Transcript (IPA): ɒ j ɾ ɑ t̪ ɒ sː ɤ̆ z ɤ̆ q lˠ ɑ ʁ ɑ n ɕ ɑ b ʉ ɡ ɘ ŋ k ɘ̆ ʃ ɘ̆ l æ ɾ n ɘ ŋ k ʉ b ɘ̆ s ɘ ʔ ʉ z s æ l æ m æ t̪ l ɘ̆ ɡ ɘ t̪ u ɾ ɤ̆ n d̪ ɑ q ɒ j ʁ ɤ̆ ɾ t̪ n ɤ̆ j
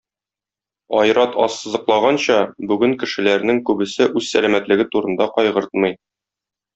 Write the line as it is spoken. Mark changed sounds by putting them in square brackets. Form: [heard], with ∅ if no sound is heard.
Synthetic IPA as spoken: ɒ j ɾ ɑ t̪ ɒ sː ɤ̆ z ɤ̆ q lˠ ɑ ʁ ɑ n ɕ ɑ b ʉ ɡ ɘ ŋ k ɘ̆ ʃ ɘ̆ l æ ɾ n ɘ ŋ k ʉ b ɘ̆ s ɘ ʔ ʉ z s æ l æ m æ t̪ l ɘ̆ ɡ ɘ t̪ u ɾ ɤ̆ n d̪ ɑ q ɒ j ʁ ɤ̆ ɾ t̪ [m] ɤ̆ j